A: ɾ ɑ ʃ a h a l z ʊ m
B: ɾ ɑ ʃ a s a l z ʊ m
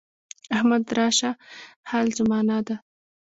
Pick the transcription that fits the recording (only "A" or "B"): A